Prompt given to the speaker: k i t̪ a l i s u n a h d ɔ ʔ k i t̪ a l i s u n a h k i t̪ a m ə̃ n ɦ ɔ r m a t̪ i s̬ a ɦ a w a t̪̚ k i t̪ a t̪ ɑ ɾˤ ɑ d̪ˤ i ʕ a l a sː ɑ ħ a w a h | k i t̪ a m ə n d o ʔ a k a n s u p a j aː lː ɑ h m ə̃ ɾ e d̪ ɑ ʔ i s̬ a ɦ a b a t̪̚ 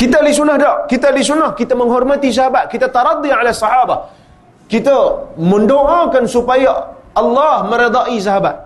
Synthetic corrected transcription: k i t̪ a l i s u n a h d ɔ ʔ k i t̪ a l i s u n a h k i t̪ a m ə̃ ŋ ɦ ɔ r m a t̪ i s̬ a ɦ a b a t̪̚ k i t̪ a t̪ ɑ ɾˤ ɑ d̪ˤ i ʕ a l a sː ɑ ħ a b a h | k i t̪ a m ə n d o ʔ a k a n s u p a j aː lː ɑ h m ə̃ ɾ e d̪ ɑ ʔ i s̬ a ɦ a b a t̪̚